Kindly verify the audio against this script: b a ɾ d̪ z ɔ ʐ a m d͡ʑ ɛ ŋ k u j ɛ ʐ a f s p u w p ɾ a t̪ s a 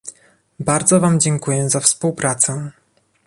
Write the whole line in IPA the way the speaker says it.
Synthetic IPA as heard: b a ɾ d̪ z ɔ v a m d͡ʑ ɛ ŋ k u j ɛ z a f s p u w p ɾ a t̪ s ɛ